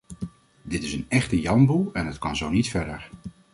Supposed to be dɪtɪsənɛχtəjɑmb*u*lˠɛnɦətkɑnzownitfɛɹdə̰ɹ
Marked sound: correct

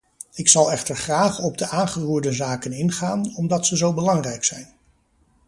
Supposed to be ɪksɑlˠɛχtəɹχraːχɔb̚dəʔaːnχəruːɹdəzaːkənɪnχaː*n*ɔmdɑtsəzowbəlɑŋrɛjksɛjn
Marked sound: correct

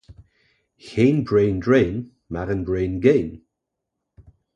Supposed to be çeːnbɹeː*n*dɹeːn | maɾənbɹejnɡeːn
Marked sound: correct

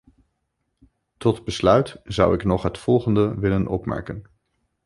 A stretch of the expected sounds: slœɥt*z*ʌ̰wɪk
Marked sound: correct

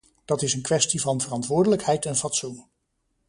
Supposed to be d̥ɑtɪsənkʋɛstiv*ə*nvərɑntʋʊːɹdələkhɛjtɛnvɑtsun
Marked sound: incorrect: ɑ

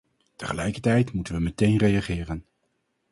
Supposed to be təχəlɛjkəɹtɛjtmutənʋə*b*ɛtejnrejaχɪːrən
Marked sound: incorrect: m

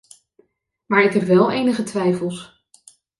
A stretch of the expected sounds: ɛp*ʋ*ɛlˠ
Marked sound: correct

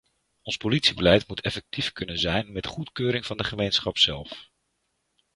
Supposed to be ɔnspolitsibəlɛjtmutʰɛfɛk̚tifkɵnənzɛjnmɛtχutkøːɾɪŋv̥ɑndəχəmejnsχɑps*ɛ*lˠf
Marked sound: correct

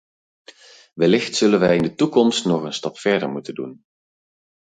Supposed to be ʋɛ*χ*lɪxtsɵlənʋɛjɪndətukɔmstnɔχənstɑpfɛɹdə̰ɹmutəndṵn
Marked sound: incorrect: none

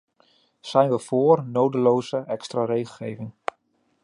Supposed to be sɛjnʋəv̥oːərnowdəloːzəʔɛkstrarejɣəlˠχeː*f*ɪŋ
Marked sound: incorrect: v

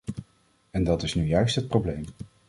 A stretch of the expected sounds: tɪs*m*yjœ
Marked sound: incorrect: n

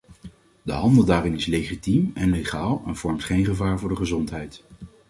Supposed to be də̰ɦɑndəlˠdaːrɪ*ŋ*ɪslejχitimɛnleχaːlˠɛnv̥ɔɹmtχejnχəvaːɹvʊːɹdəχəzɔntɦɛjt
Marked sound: incorrect: n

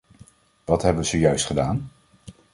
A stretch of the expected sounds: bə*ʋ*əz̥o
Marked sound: correct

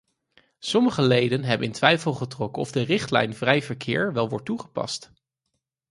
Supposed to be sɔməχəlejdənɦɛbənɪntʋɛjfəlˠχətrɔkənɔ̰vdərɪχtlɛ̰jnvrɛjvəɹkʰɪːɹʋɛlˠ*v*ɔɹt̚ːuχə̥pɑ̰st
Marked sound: incorrect: ʋ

